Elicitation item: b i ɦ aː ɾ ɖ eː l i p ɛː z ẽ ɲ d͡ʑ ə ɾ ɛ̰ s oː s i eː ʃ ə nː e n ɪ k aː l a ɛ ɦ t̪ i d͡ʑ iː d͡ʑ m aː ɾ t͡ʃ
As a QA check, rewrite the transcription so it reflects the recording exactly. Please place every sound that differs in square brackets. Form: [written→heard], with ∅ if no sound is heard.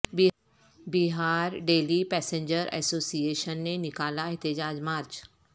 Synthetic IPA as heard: b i ɦ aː ɾ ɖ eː l i p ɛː [z→s] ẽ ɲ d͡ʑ ə ɾ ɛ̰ s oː s i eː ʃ ə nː e n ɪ k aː l a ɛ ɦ t̪ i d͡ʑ [iː→aː] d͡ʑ m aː ɾ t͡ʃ